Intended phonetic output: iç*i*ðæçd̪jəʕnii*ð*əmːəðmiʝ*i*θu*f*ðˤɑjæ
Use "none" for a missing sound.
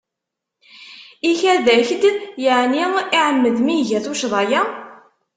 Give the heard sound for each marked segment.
æ, ʕ, æ, ʃ

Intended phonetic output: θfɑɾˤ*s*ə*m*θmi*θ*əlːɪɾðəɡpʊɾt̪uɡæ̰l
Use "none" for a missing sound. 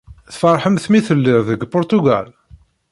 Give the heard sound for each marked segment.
ħ, m, θ

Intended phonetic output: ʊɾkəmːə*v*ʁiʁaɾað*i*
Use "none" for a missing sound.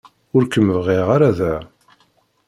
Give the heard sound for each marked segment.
v, æ

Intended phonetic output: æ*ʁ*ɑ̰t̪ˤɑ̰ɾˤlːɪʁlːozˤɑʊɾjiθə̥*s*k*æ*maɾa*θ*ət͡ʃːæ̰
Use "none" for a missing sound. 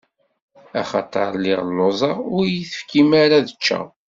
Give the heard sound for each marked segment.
χ, f, i, ð

